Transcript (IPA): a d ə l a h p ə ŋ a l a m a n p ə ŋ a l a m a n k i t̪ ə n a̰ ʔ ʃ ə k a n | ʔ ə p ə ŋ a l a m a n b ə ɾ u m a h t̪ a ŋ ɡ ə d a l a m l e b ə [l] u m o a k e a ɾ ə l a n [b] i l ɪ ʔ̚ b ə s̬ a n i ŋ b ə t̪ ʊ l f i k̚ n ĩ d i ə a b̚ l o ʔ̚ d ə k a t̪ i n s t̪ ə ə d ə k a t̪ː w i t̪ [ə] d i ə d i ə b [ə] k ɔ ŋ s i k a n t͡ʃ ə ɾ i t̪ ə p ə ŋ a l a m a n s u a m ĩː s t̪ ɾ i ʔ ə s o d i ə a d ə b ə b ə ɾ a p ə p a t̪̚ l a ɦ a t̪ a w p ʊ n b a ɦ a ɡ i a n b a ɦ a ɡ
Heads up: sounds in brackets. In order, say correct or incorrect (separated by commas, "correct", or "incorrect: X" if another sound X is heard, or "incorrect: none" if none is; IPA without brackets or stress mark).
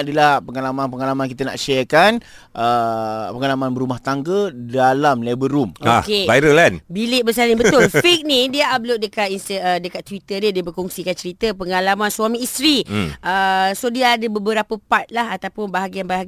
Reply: incorrect: ɾ, correct, correct, correct